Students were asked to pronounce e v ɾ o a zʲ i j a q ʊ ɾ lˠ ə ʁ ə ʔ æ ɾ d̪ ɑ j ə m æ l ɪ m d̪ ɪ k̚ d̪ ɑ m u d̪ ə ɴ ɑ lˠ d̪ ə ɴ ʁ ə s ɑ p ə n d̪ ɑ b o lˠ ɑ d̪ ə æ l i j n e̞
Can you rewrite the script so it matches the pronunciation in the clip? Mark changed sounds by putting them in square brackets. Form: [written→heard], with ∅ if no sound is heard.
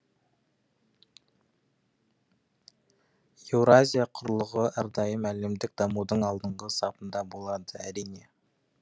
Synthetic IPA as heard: e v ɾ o a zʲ i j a [q→qʰ] ʊ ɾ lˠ ə ʁ ə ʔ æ ɾ d̪ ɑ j ə m æ l ɪ m d̪ ɪ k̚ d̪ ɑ m u d̪ ə ɴ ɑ lˠ d̪ ə ɴ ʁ ə s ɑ p ə n d̪ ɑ b o lˠ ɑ d̪ ə æ [l→ɾ] i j n e̞